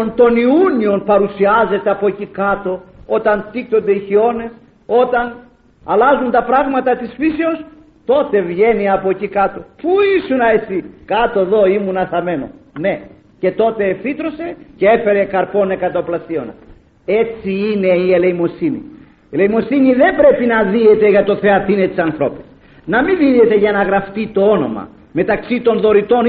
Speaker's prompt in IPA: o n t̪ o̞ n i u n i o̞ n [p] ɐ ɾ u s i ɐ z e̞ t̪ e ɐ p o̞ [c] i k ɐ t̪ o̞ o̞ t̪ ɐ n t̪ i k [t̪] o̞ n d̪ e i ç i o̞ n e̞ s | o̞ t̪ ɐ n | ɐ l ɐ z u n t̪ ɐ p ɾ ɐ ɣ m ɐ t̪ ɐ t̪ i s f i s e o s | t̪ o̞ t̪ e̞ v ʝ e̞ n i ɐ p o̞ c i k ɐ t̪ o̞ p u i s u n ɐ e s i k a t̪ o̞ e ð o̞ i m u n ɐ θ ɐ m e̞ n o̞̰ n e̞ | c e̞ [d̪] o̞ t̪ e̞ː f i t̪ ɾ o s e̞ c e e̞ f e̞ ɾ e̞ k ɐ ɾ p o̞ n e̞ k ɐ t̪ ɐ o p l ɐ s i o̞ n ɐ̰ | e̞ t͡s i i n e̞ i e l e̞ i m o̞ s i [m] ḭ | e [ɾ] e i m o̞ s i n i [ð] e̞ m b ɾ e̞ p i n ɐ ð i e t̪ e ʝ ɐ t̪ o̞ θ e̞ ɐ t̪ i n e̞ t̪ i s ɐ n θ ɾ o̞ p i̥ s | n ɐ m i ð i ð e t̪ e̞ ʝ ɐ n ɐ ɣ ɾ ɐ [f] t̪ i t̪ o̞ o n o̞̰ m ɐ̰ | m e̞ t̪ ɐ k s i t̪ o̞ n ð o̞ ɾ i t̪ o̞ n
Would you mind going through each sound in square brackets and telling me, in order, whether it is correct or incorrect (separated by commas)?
correct, correct, correct, incorrect, incorrect, incorrect, correct, correct